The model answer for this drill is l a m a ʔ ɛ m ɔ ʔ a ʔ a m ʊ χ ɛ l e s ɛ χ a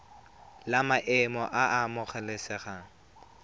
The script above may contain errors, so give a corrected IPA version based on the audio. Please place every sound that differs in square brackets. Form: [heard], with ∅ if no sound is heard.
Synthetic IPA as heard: l a m a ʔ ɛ m ɔ ʔ a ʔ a m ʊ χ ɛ l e s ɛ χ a